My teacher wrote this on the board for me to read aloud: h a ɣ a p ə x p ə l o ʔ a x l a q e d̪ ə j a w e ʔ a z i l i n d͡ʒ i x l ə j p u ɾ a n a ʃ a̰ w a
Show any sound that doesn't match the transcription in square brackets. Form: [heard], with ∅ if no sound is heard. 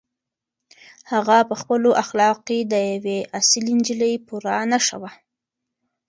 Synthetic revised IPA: h a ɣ a p ə x p ə l o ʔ a x l [ɑ] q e d̪ ə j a w e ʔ a [s] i l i n d͡ʒ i [∅] l ə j p u ɾ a n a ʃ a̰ w a